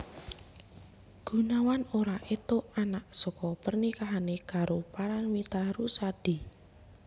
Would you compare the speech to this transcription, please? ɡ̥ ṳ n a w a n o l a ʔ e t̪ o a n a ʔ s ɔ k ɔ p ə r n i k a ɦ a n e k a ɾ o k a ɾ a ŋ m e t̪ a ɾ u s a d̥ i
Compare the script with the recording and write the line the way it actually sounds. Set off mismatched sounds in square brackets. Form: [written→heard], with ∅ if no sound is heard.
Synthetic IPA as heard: ɡ̥ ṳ n a w a n o [l→ɾ] a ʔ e t̪ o a n a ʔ s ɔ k ɔ p ə r n i k a ɦ a n e k a ɾ o [k→p] a ɾ a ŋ m [e→i] t̪ a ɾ u s a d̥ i